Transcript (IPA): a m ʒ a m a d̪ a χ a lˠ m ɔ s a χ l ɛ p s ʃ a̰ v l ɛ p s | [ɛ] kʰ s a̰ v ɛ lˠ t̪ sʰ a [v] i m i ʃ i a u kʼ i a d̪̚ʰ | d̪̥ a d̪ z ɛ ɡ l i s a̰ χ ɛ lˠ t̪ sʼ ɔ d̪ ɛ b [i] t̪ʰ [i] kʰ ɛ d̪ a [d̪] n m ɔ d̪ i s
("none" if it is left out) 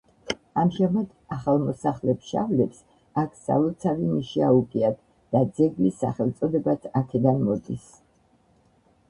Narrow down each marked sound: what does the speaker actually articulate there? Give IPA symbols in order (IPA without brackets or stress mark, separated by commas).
a, v, a, a, none